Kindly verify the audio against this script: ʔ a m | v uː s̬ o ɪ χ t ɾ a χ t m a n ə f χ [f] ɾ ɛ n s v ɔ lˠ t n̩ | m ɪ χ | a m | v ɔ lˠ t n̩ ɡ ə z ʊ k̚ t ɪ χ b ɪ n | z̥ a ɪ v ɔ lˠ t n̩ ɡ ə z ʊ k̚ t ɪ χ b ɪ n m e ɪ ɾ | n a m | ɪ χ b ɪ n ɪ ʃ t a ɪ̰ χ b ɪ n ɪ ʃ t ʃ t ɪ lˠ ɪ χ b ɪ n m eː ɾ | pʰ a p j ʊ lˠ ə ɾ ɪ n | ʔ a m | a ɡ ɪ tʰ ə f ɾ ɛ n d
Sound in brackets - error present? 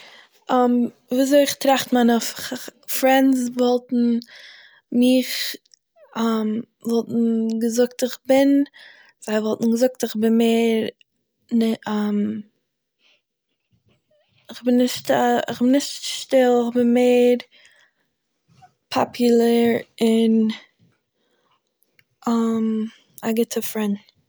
no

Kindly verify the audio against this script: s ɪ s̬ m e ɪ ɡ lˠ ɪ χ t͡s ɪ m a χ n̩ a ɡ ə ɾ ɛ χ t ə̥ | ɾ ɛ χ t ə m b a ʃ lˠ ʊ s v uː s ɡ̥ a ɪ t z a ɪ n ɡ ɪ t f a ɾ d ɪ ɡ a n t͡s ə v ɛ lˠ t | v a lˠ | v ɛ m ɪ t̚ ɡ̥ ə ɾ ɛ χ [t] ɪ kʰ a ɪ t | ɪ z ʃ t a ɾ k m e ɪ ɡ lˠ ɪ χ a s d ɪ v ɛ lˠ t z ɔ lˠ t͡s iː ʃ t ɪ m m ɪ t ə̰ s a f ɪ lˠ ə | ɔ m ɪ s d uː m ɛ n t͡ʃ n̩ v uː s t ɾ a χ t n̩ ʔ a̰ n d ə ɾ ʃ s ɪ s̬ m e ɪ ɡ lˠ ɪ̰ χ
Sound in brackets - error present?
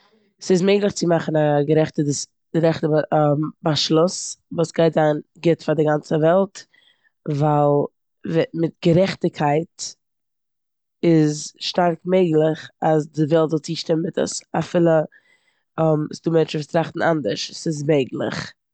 no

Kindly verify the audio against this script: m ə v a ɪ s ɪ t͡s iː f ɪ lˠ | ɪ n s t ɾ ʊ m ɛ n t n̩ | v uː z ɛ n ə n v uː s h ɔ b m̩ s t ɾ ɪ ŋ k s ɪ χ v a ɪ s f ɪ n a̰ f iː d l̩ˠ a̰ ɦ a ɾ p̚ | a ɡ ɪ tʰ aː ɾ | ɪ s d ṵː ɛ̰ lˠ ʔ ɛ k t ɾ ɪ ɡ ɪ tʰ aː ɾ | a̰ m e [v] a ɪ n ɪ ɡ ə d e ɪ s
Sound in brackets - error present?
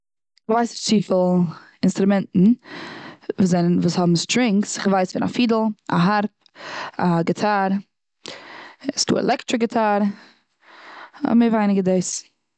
no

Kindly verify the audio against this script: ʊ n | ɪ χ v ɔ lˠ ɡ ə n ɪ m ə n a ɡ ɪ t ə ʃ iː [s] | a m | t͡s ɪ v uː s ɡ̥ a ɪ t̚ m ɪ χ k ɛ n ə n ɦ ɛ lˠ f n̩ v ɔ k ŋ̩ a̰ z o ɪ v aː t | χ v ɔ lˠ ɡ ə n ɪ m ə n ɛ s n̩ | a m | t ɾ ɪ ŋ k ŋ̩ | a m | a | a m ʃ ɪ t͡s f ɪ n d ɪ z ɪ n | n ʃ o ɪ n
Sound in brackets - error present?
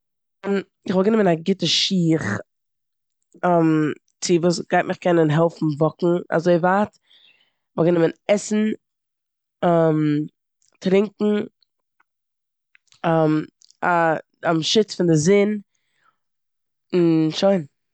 yes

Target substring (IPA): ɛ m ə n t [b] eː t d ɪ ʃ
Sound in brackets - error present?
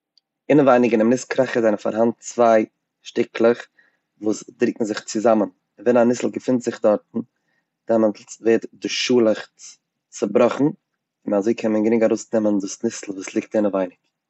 yes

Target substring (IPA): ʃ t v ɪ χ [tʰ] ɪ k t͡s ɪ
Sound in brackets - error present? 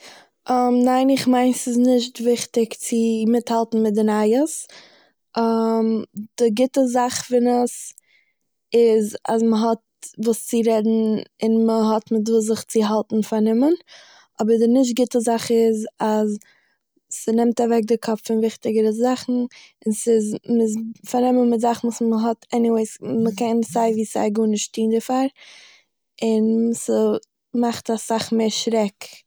yes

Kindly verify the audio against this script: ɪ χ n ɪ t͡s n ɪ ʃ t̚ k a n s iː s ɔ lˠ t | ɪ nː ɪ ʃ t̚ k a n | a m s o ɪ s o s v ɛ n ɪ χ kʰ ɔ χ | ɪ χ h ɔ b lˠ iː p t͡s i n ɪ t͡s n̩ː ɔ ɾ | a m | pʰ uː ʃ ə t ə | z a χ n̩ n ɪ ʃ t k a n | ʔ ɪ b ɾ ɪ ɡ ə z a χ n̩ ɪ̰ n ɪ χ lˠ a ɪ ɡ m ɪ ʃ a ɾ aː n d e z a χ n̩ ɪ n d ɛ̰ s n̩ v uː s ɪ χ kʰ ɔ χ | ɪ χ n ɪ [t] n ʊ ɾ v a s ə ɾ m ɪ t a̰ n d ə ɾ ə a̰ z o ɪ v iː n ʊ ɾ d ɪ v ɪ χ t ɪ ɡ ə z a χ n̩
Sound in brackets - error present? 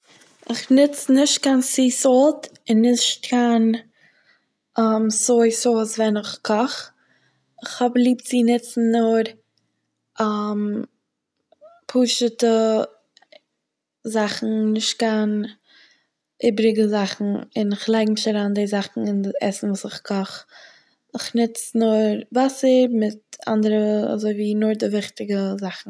yes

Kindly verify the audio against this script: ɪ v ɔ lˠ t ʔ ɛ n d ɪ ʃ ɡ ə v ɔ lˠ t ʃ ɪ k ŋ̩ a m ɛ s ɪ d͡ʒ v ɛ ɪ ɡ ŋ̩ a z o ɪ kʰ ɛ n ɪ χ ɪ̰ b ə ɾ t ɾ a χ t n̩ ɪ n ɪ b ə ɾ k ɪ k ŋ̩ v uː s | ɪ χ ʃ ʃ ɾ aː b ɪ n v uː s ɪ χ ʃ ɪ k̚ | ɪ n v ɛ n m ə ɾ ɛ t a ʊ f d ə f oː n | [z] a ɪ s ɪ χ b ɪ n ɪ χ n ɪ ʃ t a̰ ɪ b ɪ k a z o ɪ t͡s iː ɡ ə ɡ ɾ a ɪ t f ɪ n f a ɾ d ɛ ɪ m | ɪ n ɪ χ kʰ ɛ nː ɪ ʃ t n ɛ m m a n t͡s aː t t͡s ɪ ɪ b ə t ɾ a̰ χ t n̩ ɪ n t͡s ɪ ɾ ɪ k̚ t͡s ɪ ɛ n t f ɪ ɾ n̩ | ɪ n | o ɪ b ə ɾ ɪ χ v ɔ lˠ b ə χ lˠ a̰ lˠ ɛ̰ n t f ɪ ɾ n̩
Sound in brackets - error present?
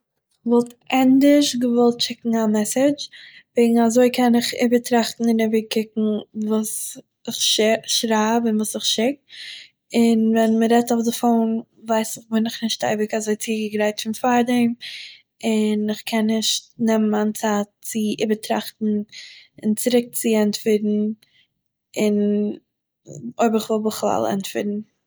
yes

